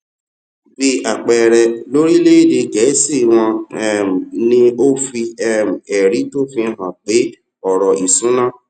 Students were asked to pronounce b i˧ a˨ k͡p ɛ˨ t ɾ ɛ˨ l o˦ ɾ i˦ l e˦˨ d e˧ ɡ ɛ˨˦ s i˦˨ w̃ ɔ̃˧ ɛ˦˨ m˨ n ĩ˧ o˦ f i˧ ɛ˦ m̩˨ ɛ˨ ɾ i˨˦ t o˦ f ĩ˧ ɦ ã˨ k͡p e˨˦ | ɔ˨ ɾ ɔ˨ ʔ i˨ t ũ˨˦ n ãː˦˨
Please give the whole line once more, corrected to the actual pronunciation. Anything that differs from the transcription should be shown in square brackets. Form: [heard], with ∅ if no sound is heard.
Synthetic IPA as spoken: b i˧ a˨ k͡p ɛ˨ [∅] ɾ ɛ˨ l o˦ ɾ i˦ l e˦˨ d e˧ ɡ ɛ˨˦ s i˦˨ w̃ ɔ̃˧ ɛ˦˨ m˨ n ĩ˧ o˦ f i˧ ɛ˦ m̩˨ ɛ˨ ɾ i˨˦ t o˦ f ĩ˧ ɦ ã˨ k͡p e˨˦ | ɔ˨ ɾ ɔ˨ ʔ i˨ [s] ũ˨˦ n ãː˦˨